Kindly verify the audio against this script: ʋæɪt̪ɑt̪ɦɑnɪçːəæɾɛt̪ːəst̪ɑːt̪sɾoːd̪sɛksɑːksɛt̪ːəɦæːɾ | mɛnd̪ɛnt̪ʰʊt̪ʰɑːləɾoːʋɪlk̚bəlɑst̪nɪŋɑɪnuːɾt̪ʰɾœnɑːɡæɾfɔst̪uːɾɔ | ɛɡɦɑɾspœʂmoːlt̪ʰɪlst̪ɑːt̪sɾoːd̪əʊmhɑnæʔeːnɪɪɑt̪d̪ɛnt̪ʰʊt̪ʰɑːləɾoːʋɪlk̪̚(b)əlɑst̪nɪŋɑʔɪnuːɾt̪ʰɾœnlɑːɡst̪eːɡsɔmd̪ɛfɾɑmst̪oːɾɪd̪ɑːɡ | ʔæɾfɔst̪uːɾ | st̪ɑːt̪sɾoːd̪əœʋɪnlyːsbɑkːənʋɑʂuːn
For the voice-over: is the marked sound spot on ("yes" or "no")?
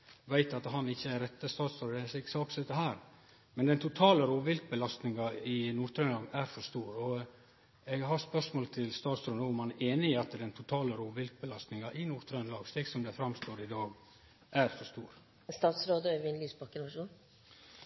yes